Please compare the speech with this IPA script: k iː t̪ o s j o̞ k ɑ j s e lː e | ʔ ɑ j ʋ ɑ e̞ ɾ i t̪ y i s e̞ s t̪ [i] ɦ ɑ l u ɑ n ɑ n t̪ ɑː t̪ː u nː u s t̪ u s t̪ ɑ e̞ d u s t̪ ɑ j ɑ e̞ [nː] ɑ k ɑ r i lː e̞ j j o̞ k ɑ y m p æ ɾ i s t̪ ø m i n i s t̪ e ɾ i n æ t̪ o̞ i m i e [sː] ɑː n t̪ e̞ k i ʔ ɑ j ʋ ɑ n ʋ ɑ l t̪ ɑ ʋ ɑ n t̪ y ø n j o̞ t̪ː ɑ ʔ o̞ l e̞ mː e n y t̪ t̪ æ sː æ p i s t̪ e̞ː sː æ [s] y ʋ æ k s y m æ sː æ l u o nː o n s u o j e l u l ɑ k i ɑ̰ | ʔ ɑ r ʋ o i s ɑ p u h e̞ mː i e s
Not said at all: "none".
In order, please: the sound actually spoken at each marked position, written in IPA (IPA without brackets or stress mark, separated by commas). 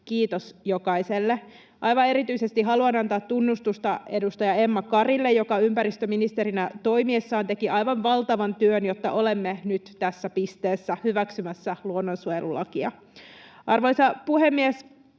i, mː, sː, h